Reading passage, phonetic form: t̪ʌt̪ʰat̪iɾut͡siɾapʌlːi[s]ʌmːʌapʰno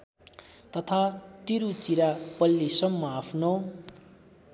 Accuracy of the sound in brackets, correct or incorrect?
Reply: correct